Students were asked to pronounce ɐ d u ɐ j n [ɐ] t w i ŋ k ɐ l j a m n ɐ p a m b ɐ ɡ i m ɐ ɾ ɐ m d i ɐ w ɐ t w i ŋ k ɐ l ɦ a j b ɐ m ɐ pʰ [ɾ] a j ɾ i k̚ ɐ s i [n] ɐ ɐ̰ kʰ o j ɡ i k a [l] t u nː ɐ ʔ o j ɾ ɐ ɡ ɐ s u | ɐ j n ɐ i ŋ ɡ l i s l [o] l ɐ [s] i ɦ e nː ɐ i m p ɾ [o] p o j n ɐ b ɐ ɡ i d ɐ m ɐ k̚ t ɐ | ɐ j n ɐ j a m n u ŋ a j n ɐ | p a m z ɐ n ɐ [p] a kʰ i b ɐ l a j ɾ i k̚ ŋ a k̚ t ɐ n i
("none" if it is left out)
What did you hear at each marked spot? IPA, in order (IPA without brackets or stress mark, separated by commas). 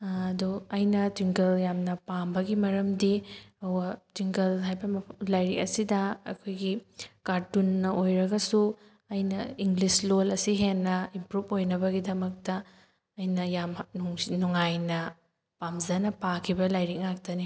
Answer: ɐ, l, d, ɾ, o, s, u, p